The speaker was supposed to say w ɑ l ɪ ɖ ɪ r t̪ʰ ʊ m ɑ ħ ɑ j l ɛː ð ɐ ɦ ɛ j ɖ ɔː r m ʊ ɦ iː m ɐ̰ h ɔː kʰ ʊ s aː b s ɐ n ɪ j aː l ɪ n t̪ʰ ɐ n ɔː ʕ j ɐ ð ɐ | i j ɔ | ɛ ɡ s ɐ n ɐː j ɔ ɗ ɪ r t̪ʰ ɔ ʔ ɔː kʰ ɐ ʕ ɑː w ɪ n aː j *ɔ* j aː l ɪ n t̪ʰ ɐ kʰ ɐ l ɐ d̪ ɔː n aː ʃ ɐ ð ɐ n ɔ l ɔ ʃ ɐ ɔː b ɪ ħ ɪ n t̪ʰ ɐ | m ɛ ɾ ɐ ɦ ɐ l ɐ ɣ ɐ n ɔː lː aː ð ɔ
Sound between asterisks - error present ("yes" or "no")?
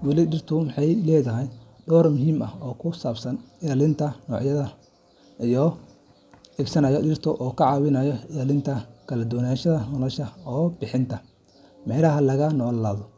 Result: no